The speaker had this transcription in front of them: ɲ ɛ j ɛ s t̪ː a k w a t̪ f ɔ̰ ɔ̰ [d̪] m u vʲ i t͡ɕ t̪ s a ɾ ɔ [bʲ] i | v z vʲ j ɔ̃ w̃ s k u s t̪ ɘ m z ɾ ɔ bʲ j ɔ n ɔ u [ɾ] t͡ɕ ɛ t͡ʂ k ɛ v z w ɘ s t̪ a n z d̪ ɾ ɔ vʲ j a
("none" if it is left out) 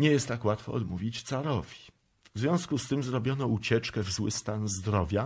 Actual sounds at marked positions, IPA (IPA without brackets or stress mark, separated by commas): d̪, vʲ, none